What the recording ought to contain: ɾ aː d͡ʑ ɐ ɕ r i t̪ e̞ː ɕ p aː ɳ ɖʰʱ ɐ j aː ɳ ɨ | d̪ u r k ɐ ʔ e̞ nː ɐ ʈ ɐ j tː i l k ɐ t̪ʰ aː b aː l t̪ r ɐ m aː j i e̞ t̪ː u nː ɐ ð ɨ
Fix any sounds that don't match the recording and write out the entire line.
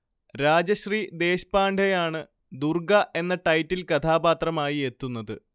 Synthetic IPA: ɾ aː d͡ʑ ɐ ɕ r i d̪ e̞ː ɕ p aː ɳ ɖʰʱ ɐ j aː ɳ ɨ | d̪ u r ɡ ɐ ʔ e̞ nː ɐ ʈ ɐ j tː i l k ɐ t̪ʰ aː b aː t̪ r ɐ m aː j i e̞ t̪ː u nː ɐ ð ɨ